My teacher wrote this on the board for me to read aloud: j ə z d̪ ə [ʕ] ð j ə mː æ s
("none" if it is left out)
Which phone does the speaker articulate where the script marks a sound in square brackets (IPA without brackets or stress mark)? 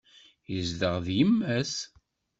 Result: ʁ